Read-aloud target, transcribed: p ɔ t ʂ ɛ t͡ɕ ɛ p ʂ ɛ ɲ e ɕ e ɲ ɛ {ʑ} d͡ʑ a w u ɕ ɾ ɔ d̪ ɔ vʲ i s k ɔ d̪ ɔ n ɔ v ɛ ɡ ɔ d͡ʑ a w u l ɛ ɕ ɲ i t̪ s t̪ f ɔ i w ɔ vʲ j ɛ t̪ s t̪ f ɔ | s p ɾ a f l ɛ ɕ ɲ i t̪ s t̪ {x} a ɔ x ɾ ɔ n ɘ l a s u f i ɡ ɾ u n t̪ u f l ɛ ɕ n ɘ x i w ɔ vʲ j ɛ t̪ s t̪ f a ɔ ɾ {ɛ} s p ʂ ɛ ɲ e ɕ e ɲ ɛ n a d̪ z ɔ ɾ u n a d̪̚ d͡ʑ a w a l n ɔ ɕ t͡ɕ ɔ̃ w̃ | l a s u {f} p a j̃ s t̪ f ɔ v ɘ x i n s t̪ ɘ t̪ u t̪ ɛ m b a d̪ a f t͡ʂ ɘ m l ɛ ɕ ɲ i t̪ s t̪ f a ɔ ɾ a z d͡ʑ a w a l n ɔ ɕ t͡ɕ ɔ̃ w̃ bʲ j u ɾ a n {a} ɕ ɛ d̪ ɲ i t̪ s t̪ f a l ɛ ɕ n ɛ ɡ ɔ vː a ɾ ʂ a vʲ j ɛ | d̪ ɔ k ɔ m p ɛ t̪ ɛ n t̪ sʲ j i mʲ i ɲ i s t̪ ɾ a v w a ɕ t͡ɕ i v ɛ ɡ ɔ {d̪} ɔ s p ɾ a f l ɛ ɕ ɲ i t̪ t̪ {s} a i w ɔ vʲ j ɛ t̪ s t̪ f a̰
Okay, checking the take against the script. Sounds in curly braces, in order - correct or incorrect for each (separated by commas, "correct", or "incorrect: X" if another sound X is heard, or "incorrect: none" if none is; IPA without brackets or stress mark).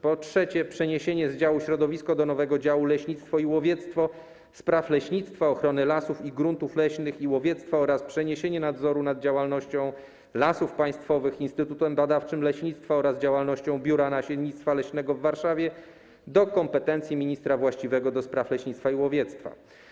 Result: incorrect: z, incorrect: f, incorrect: a, correct, correct, correct, incorrect: f